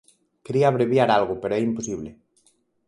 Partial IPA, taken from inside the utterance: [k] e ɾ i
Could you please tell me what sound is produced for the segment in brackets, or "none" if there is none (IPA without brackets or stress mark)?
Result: k